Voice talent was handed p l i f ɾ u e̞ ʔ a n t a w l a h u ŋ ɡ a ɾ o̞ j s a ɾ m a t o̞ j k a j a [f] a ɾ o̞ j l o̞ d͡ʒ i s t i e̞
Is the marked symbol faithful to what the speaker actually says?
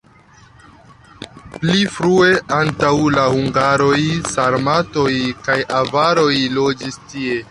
no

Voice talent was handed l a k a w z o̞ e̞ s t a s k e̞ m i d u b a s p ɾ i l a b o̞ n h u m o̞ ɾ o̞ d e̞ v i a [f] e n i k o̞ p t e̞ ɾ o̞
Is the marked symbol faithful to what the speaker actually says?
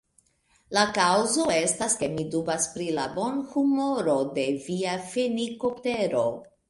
yes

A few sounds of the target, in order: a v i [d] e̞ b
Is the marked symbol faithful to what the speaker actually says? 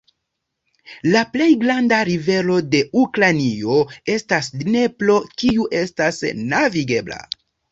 no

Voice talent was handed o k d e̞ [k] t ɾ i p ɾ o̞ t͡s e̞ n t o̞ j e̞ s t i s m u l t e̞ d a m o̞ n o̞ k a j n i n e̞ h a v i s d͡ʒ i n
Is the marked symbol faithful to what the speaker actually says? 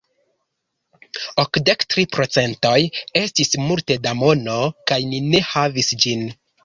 yes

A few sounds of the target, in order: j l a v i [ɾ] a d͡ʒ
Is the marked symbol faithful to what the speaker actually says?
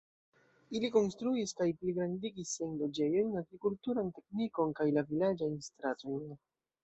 no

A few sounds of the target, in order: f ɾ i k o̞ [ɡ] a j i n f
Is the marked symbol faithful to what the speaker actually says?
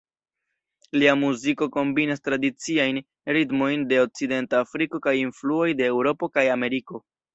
no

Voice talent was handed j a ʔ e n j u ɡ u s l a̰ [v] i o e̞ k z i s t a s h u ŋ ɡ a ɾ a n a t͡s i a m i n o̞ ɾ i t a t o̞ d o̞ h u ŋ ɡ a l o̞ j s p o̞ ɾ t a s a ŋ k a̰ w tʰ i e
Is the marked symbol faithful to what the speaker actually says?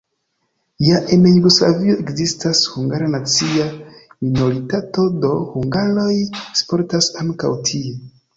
yes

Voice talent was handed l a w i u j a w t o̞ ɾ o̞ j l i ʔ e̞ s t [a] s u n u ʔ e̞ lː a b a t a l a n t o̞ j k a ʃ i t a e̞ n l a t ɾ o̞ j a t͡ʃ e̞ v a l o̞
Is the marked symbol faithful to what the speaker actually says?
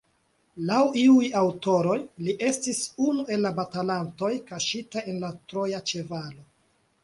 no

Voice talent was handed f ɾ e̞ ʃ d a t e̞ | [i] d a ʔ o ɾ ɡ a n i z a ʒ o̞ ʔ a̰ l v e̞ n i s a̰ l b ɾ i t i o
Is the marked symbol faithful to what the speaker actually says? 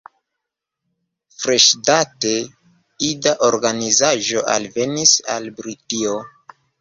yes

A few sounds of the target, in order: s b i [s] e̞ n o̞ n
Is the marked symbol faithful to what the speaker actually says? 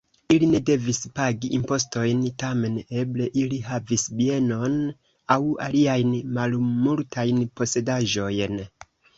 no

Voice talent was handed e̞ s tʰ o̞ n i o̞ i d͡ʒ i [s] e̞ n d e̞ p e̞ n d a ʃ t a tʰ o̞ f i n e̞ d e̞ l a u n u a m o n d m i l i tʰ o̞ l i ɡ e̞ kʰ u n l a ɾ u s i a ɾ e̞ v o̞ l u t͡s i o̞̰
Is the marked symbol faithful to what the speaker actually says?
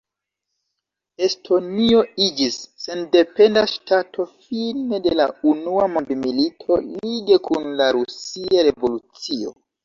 no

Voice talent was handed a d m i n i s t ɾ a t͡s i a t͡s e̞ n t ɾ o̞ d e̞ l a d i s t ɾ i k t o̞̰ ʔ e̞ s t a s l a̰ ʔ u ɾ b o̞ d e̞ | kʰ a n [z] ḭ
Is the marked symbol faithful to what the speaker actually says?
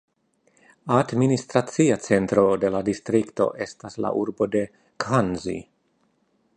yes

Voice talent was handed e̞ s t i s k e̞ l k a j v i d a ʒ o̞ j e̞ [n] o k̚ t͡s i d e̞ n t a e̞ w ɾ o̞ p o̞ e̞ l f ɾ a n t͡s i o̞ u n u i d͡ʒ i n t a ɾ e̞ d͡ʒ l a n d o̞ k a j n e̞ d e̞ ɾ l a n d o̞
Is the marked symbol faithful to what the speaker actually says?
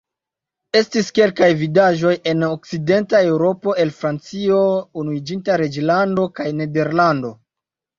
yes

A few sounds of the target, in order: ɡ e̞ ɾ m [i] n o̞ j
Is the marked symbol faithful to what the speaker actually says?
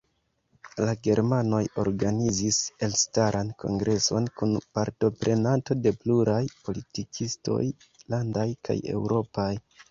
no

